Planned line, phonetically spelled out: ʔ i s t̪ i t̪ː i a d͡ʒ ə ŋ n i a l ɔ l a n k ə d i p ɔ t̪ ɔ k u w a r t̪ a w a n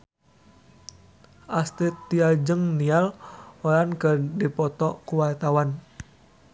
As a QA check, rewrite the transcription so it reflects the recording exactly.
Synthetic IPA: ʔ a s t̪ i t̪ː i a d͡ʒ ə ŋ n i a l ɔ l a n k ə d i p ɔ t̪ ɔ k u w a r t̪ a w a n